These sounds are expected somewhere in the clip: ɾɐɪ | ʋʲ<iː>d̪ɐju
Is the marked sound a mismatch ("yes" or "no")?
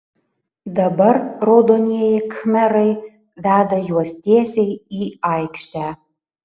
yes